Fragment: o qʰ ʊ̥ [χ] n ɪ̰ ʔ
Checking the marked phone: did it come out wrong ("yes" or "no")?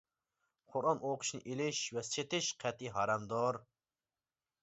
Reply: yes